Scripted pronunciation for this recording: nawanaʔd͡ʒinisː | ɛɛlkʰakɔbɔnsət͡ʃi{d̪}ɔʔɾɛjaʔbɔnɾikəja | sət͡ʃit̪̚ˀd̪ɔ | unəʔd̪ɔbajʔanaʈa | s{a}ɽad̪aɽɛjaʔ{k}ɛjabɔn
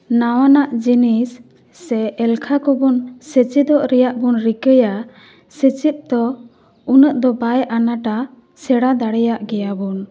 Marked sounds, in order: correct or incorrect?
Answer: correct, incorrect, incorrect

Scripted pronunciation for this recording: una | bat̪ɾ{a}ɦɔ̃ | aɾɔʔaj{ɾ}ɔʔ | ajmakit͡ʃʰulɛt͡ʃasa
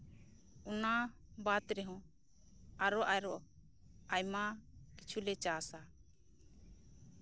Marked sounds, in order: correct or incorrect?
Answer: incorrect, correct

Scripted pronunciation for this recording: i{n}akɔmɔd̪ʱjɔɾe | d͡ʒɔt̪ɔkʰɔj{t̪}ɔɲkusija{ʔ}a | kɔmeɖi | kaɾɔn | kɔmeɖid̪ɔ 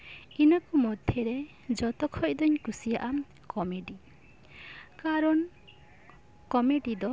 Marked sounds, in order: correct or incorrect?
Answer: correct, incorrect, correct

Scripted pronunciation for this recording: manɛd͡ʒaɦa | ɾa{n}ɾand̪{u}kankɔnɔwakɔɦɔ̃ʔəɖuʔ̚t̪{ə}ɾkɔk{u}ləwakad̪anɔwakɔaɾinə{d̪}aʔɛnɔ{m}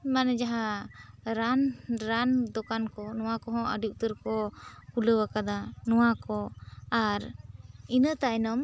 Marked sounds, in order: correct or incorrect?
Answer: correct, incorrect, correct, correct, incorrect, correct

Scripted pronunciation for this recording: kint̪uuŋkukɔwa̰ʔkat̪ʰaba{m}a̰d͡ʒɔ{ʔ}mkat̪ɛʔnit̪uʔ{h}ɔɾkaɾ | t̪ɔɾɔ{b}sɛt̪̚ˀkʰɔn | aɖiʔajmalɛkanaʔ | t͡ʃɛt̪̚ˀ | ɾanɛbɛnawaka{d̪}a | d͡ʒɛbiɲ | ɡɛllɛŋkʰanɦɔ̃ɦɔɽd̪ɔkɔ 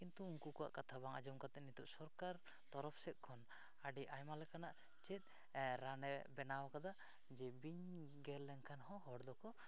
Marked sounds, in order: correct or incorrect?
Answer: incorrect, incorrect, incorrect, incorrect, correct

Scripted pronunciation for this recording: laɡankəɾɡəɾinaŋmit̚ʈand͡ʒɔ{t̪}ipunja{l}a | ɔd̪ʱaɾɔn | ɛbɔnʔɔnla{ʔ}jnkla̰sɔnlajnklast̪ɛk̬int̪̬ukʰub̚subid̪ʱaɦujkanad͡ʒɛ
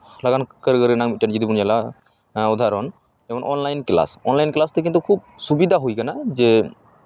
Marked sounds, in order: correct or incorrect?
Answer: incorrect, correct, incorrect

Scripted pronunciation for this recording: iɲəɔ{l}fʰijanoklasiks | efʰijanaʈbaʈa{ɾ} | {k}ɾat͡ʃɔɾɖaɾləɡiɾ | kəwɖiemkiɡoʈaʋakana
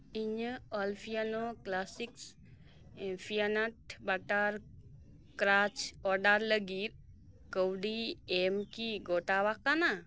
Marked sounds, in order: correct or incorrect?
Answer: correct, correct, correct

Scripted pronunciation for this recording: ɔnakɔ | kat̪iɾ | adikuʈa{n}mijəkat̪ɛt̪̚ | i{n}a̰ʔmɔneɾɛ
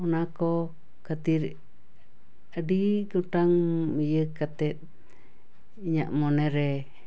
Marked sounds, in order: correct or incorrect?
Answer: incorrect, incorrect

